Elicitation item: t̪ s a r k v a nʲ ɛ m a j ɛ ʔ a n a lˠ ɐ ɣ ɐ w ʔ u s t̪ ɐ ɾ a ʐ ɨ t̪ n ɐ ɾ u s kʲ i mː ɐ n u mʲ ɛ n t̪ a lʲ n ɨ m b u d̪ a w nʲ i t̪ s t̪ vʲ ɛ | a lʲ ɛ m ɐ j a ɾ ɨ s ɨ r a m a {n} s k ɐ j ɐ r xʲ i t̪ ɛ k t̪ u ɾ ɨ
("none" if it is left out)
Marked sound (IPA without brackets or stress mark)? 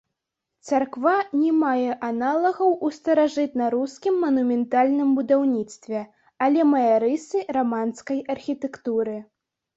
n